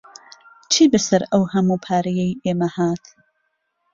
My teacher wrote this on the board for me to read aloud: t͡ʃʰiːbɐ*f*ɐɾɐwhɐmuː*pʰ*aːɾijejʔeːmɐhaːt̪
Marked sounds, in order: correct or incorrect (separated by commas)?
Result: incorrect, correct